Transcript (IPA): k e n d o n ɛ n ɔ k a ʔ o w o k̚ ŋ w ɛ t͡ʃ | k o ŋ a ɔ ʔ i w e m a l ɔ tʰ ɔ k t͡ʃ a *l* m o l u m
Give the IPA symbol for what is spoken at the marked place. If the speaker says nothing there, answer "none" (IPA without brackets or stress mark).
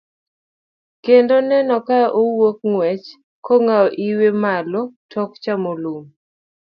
none